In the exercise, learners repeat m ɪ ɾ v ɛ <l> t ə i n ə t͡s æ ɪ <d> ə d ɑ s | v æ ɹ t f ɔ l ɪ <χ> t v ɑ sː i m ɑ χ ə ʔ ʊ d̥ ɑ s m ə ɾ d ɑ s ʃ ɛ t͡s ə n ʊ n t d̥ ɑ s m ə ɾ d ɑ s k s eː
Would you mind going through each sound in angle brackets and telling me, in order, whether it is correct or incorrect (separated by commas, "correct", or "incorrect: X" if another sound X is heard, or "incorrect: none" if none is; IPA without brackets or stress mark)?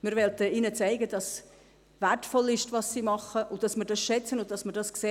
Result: correct, incorrect: ɡ, incorrect: ʃ